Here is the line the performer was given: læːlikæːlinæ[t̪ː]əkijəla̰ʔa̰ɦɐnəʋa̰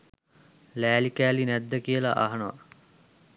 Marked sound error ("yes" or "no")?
yes